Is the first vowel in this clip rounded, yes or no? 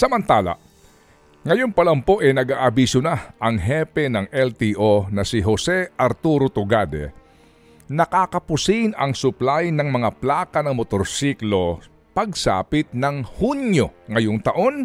no